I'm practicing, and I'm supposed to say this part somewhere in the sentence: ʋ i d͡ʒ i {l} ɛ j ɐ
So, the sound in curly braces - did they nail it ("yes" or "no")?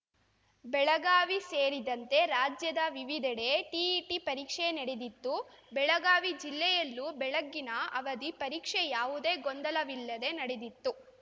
no